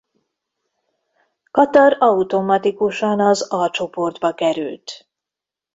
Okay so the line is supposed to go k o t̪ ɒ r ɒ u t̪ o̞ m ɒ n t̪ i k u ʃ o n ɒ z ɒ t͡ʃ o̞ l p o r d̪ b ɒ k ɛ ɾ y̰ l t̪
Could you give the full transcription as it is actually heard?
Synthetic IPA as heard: k ɒ t̪ ɒ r ɒ u t̪ o̞ m ɒ t̪ i k u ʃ ɒ n ɒ z ɒ t͡ʃ o̞ p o r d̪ b ɒ k ɛ ɾ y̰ l t̪